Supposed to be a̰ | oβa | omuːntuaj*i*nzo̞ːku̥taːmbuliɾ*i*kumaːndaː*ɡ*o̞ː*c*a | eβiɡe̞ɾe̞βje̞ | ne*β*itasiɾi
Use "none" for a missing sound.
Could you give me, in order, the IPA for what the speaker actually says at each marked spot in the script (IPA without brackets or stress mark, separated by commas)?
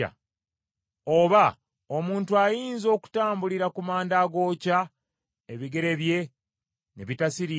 iː, a, ɡ, c, β